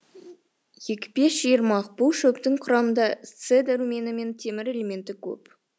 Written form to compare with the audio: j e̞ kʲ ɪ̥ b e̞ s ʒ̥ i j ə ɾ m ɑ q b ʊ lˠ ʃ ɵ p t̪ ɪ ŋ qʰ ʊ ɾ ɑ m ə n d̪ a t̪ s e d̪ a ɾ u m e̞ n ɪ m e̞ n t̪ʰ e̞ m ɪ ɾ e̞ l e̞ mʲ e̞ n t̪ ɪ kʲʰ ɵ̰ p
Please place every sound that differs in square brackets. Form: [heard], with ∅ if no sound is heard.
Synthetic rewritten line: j e̞ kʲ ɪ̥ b e̞ s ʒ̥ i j ə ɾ m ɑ q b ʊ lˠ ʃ ɵ p t̪ ɪ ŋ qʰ ʊ ɾ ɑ m ə n d̪ [ɑ] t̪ s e d̪ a ɾ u m e̞ n ɪ m e̞ n t̪ʰ e̞ m ɪ ɾ e̞ l e̞ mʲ e̞ n t̪ ɪ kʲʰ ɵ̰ p